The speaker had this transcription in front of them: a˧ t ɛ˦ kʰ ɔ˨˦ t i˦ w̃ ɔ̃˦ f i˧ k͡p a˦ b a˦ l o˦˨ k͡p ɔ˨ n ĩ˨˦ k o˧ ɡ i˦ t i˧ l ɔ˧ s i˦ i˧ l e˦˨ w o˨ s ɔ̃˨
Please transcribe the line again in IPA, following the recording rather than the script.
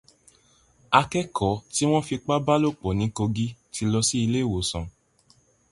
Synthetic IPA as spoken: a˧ k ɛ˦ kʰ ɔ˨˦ t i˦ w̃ ɔ̃˦ f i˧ k͡p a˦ b a˦ l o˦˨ k͡p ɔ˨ n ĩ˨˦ k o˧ ɡ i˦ t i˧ l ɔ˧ s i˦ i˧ l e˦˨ w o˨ s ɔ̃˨